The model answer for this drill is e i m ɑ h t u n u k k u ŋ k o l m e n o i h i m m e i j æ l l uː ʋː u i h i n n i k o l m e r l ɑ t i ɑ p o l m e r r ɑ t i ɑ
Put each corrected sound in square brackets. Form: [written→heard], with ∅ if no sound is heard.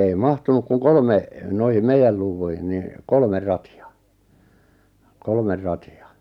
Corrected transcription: e i m ɑ h t u n u k k u ŋ k o l m e n o i h i m m e i j æ l l uː ʋː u i h i n n i k o l m e r [l→r] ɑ t i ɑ [p→k] o l m e r r ɑ t i ɑ

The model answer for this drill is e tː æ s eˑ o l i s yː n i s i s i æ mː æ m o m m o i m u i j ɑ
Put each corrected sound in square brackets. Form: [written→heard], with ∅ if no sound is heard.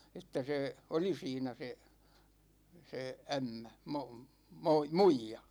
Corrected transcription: e tː æ s eˑ o l i s [yː→iː] n [i→æ] s [i→e] s [i→e] æ mː æ m o m m o i m u i j ɑ

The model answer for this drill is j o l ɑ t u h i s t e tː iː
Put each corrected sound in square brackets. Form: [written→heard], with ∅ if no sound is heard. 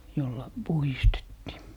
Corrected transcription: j o [l→lː] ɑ [t→p] u h i s t e tː iː

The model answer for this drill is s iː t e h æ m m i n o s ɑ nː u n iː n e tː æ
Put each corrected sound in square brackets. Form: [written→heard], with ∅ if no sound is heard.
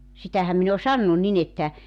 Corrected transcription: s [iː→i] t [e→æ] h æ m m i n o s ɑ nː u n [iː→i] n e tː æ

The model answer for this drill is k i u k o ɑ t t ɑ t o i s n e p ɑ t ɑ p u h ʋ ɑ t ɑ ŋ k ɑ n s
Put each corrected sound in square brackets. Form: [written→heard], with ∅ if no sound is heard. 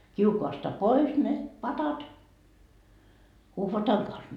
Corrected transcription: k i u k o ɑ [t→s] t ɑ [t→p] o i s n e p ɑ t ɑ [p→t] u h ʋ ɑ t ɑ ŋ k ɑ n s

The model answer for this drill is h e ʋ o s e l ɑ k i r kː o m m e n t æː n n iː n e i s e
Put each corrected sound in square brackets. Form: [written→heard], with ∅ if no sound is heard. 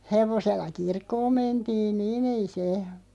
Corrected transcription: h e ʋ o s e [l→lː] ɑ k i r kː [o→oː] m m e n t [æː→iː] n n iː n e i s e

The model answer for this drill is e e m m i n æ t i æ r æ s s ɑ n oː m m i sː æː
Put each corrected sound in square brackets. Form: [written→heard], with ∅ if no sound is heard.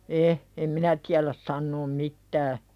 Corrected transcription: e e m m i n æ t i æ [r→l] æ s s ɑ [n→nː] oː m m i [sː→tː] æː

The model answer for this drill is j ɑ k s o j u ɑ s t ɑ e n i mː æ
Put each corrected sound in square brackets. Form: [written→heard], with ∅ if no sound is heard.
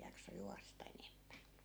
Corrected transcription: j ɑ k s o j u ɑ s t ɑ e n [i→e] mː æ

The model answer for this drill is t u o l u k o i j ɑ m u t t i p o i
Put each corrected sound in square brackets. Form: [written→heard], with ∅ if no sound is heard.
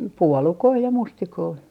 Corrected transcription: [t→p] u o l u k o i j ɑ m u [t→s] t i [p→k] o i

